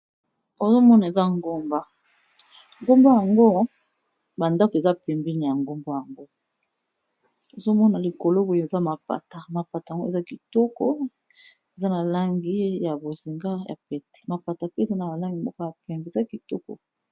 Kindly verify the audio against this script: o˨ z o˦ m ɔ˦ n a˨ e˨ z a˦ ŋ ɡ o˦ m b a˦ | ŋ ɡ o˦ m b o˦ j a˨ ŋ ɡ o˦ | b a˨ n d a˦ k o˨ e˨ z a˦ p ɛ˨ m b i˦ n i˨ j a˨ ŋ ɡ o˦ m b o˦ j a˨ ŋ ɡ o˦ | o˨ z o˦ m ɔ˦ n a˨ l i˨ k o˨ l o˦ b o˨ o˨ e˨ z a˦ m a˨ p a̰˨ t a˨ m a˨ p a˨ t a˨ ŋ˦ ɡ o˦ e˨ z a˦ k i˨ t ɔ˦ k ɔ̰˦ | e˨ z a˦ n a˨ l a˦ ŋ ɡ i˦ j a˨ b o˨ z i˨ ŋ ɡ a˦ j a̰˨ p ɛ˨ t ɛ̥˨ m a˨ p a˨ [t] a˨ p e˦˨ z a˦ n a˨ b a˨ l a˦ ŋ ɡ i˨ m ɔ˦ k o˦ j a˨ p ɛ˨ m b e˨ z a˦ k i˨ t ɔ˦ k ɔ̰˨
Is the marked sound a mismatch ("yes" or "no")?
no